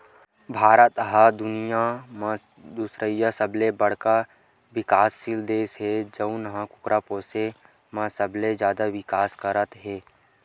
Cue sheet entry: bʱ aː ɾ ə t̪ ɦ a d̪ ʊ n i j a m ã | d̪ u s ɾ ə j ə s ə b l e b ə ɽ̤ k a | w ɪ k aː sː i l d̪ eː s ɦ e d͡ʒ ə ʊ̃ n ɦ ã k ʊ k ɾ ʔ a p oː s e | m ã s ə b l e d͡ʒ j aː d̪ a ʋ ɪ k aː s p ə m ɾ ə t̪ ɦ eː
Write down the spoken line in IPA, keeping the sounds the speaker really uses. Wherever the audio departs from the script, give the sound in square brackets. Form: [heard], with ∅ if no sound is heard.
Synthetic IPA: bʱ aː ɾ ə t̪ ɦ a d̪ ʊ n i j a m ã | d̪ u s ɾ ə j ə s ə b l e b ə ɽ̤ k a | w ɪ k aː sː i l d̪ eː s ɦ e d͡ʒ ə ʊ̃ n ɦ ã k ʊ k ɾ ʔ a p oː s e | m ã s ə b l e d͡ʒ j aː d̪ a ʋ ɪ k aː s [k] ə [∅] ɾ ə t̪ ɦ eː